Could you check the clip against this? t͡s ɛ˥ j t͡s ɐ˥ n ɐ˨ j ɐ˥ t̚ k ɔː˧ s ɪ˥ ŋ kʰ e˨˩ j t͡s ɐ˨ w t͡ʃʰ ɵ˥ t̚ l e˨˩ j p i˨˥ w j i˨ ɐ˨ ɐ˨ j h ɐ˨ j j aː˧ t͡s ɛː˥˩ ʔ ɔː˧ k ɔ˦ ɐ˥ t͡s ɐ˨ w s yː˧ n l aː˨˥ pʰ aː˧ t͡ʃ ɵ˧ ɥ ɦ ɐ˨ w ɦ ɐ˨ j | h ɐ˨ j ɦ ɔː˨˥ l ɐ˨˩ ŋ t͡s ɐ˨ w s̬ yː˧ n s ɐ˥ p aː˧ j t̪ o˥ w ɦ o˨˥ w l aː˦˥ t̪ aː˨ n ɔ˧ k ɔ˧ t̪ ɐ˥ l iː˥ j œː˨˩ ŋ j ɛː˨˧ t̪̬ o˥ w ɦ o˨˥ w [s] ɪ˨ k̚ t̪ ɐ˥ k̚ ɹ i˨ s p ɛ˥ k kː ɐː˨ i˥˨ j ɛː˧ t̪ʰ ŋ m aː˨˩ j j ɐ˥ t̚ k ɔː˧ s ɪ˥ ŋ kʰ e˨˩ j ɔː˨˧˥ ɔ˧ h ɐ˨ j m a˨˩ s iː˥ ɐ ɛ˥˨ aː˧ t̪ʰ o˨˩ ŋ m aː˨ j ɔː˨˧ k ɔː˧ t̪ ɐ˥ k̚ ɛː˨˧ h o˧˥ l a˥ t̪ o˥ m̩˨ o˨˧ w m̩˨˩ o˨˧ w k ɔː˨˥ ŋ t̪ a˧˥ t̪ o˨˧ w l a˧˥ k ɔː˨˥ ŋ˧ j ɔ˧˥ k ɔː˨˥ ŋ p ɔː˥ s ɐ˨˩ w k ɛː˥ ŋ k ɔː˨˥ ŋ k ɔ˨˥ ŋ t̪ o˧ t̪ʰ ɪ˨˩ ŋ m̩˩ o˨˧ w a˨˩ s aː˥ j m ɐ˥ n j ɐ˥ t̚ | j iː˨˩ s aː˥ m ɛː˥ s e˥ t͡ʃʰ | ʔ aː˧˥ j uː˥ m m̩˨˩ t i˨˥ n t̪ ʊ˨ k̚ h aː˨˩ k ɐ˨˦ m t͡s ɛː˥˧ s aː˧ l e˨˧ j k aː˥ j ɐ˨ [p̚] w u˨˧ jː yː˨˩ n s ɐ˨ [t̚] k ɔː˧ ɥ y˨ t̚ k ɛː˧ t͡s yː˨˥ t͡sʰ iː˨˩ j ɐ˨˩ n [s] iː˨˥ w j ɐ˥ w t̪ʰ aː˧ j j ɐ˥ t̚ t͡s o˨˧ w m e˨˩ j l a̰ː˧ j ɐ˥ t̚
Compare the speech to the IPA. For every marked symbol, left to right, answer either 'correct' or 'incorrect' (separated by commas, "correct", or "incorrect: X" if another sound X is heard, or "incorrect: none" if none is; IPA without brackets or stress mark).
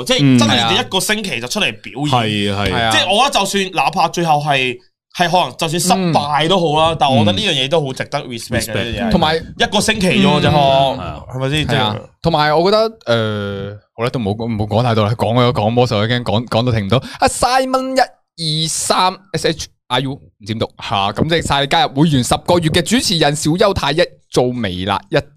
incorrect: t͡s, correct, incorrect: p̚, correct